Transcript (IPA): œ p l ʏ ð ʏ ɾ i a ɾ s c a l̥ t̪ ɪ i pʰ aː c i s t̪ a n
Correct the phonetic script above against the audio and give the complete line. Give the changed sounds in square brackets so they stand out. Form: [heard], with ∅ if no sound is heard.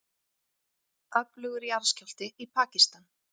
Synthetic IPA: œ p l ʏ [ɣ] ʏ ɾ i a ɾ s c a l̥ t̪ ɪ i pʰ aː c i s t̪ a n